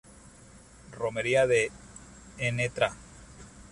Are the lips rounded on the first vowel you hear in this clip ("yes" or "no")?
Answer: yes